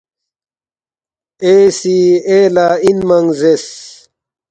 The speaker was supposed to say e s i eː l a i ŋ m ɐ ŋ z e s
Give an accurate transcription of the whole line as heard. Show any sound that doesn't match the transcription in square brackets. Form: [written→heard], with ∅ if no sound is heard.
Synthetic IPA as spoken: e s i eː l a i [ŋ→n] m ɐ ŋ z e s